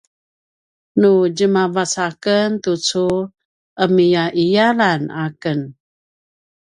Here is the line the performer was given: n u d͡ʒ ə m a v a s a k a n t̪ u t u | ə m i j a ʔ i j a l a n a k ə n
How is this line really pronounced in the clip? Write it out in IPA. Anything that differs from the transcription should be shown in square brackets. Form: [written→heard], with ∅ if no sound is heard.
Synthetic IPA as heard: n u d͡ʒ ə m a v a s a k [a→ə] n t̪ u [t→t͡s] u | ə m i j a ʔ i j a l a n a k ə n

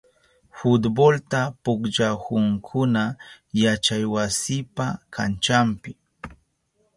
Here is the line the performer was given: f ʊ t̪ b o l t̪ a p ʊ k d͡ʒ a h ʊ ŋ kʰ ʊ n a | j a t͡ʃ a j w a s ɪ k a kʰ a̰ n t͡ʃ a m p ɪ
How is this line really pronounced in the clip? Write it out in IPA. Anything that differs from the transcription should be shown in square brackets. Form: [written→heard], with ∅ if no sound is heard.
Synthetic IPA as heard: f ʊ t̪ b o l t̪ a p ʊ k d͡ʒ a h ʊ ŋ kʰ ʊ n a | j a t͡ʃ a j w a s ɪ [k→p] a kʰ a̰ n t͡ʃ a m p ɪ

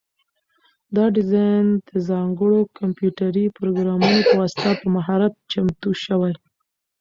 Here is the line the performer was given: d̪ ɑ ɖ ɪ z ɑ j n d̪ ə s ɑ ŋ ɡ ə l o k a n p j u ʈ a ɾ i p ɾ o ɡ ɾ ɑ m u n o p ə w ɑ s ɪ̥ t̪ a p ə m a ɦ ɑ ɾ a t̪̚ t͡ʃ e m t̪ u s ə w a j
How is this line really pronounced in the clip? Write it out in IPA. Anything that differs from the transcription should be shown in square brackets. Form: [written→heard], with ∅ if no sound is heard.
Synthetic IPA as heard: d̪ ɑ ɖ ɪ z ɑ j n d̪ ə [s→z] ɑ ŋ ɡ ə [l→ɽ] o k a [n→m] p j u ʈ a ɾ i p ɾ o ɡ ɾ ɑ m u n o p ə w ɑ s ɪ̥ t̪ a p ə m a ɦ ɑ ɾ a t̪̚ t͡ʃ [e→a] m t̪ u [s→ʃ] ə w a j

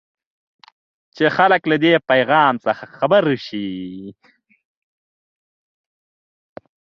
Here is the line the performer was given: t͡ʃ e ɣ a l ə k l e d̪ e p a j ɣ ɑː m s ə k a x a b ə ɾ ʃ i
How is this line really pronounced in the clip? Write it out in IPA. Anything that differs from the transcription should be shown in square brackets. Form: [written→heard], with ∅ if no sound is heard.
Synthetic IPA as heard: t͡ʃ e [ɣ→x] a l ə k l [e→a] d̪ e p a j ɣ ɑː m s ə [k→x] a x a b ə ɾ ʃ i

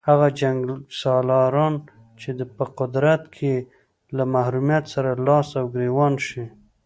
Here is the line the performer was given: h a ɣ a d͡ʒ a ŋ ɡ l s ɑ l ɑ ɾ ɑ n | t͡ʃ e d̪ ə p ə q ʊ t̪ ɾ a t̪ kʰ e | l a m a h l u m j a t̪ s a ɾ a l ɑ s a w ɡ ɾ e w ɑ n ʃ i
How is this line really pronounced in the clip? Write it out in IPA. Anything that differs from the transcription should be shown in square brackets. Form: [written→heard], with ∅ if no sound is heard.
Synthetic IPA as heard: h a ɣ a d͡ʒ a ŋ ɡ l s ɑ l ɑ ɾ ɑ n | t͡ʃ e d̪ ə p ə q ʊ [t̪→d̪] ɾ a t̪ kʰ e | l a m a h [l→ɾ] u m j a t̪ s a ɾ a l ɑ s a w ɡ ɾ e w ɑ n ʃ i

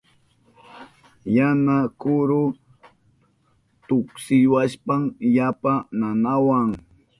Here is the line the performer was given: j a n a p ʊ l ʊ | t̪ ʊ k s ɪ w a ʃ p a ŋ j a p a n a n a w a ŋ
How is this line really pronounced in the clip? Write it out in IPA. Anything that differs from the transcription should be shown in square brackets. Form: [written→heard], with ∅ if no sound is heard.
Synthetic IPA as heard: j a n a [p→k] ʊ [l→ɾ] ʊ | t̪ ʊ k s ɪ w a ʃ p a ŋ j a p a n a n a w a ŋ

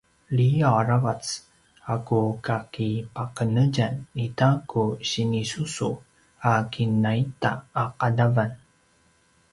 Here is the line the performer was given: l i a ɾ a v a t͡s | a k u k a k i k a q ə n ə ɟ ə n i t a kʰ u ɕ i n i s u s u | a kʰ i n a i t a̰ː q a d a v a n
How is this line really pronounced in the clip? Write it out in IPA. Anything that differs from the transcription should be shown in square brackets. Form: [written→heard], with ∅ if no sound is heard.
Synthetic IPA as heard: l i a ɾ a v a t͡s | a k u k a k i [k→p] a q ə n ə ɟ [ə→a] n i t a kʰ u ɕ i n i s u s u | a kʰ i n a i t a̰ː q a d a v a n

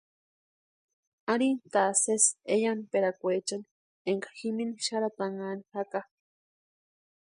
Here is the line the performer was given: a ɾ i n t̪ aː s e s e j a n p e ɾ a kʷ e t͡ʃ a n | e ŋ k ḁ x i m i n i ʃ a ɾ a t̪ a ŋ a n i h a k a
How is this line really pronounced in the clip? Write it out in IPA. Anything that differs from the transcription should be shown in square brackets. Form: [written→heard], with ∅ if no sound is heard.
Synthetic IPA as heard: a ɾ i n t̪ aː s e s e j a n p e ɾ a kʷ e t͡ʃ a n | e ŋ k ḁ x i m i n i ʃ a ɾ a t̪ a ŋ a n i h a k a

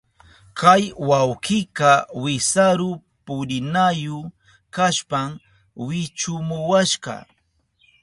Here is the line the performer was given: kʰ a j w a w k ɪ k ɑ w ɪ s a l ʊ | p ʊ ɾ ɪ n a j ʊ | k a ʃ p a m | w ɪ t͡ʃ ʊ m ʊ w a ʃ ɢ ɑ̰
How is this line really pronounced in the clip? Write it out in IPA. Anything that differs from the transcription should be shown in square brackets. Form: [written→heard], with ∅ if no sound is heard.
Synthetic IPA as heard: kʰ a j w a w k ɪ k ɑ w ɪ s a [l→ɾ] ʊ | p ʊ ɾ ɪ n a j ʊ | k a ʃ p a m | w ɪ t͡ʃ ʊ m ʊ w a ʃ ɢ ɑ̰

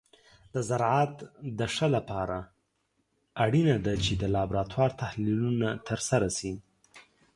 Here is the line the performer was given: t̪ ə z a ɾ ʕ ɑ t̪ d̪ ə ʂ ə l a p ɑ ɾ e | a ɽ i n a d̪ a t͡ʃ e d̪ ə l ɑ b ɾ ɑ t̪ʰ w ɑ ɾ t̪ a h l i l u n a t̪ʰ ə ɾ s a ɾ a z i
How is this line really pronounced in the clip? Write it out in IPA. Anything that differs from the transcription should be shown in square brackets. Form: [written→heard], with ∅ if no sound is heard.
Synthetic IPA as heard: [t̪→d̪] ə z a ɾ ʕ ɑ t̪ d̪ ə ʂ ə l a p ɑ ɾ [e→a] | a ɽ i n a d̪ a t͡ʃ e d̪ ə l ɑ b ɾ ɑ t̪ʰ w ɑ ɾ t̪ a h l i l u n a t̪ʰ ə ɾ s a ɾ a [z→s] i

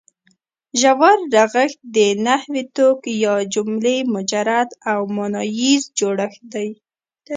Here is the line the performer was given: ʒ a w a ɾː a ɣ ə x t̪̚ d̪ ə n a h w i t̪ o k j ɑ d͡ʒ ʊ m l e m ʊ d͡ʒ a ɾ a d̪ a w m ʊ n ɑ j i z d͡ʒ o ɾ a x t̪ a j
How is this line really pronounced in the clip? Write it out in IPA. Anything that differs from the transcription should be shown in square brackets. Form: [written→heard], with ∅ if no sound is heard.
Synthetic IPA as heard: ʒ a w a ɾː a ɣ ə x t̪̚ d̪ ə n a h w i t̪ o k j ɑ d͡ʒ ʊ m l e m ʊ d͡ʒ a ɾ a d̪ a w m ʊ n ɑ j i z d͡ʒ o [ɾ→ɽ] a x [t̪→d̪] a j

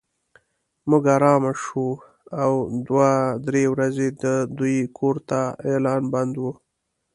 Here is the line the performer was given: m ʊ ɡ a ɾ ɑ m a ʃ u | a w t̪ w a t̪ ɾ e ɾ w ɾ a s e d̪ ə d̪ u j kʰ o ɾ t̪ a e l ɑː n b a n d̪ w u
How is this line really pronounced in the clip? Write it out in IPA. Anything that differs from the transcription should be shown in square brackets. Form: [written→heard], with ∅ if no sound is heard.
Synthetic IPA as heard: m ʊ ɡ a ɾ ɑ m a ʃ u | a w [t̪→d̪] w a [t̪→d̪] ɾ e [ɾ→∅] w ɾ a [s→z] e d̪ ə d̪ u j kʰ o ɾ t̪ a e l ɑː n b a n d̪ w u

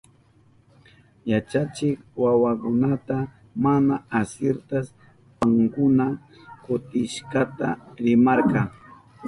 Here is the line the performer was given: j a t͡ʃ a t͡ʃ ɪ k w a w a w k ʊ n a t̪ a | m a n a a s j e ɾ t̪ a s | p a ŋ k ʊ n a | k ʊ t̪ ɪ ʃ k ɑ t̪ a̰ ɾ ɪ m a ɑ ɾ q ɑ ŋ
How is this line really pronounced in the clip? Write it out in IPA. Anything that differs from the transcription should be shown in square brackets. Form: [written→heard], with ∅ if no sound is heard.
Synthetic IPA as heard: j a t͡ʃ a t͡ʃ ɪ k w a w a [w→∅] k ʊ n a t̪ a | m a n a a s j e ɾ t̪ a s | p a ŋ k ʊ n a | k ʊ t̪ ɪ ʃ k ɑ t̪ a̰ ɾ ɪ m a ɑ ɾ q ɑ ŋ

